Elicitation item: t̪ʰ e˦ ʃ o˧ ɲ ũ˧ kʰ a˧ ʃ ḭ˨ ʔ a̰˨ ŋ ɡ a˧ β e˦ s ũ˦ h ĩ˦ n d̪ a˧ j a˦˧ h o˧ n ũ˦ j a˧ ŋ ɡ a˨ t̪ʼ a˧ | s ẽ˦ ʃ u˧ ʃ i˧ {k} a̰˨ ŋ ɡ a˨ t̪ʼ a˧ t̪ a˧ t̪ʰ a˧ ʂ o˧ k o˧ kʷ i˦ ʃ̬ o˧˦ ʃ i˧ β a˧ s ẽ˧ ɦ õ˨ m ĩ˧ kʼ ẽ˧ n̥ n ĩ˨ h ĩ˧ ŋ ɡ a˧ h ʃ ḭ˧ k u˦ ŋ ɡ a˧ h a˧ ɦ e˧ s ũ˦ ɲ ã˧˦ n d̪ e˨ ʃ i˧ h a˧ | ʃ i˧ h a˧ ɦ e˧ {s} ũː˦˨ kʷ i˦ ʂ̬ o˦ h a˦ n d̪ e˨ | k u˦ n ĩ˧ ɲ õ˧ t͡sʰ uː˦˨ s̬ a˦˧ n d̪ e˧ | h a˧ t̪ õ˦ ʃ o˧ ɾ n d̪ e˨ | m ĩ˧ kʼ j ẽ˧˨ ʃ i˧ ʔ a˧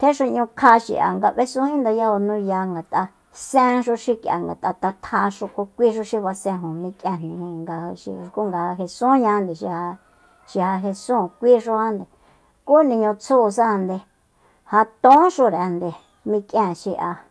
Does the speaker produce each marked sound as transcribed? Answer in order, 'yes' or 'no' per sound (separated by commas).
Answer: yes, yes